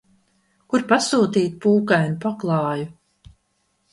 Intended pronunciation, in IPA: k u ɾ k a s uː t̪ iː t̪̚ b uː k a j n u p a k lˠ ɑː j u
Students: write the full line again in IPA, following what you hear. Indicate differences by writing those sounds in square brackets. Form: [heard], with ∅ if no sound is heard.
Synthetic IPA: k u ɾ [p] a s uː t̪ iː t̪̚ [p] uː k a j n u p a k lˠ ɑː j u